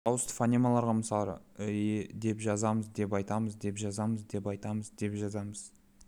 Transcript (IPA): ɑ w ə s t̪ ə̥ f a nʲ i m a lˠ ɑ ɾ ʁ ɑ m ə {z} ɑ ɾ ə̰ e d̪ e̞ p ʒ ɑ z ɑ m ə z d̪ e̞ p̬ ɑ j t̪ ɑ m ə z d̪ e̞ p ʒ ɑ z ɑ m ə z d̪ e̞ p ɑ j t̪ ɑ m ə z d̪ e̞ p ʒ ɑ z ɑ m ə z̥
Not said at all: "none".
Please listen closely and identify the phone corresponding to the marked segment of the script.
s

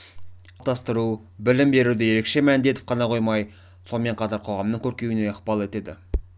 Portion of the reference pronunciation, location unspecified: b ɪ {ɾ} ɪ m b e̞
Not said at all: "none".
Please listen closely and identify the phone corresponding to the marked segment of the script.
l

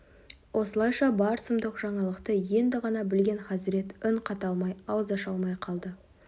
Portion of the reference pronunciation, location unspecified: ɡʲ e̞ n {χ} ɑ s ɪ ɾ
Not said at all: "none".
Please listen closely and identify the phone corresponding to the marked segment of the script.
χ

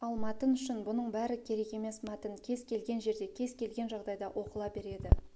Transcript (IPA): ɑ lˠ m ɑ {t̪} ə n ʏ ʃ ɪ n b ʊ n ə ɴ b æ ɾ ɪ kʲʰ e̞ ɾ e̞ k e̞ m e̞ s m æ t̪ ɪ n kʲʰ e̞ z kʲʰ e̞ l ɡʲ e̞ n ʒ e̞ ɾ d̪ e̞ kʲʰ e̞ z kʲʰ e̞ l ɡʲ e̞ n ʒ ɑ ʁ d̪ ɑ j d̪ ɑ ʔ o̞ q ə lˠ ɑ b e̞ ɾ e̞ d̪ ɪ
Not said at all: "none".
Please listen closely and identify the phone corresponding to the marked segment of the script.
t̪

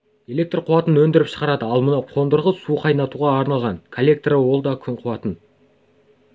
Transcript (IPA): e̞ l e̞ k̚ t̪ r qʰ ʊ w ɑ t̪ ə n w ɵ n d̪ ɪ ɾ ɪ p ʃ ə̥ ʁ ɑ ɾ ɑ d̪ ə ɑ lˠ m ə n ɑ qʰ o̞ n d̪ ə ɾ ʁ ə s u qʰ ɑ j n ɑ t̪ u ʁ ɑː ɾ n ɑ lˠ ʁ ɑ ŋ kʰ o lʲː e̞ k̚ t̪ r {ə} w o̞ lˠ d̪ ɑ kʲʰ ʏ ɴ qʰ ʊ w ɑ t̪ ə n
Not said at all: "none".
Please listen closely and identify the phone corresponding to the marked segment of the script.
ə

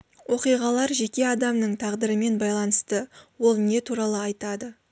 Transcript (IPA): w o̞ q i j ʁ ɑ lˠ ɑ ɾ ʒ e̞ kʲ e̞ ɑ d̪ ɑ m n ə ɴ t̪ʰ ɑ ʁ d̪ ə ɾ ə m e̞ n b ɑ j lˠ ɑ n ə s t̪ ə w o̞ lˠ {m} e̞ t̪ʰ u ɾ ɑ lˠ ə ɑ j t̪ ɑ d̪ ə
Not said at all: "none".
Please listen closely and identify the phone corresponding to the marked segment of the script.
n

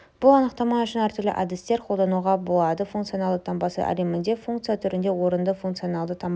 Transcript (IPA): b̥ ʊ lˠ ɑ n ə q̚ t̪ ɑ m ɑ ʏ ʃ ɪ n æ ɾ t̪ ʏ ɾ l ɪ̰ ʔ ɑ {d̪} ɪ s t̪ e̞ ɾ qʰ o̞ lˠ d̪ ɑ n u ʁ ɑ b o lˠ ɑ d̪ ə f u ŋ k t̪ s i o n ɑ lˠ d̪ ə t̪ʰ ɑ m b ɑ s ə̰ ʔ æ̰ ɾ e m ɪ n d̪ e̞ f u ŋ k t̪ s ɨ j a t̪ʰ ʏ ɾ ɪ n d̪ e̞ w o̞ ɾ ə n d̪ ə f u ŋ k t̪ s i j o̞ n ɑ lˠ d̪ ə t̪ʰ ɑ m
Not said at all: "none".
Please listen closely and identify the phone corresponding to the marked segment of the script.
d̪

